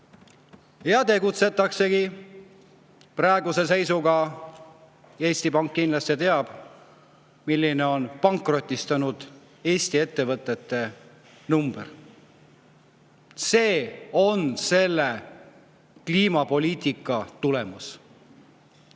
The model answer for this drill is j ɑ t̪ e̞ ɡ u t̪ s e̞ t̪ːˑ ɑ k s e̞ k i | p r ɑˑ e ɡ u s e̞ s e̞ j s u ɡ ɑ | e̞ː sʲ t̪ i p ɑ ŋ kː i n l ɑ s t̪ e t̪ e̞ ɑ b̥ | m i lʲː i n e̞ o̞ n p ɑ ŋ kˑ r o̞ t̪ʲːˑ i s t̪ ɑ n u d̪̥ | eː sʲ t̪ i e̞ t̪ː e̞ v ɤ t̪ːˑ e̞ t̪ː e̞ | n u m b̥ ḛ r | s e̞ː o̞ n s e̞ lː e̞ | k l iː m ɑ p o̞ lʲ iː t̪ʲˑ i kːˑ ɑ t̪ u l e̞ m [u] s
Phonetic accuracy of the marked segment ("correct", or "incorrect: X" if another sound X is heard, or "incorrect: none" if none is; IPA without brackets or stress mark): correct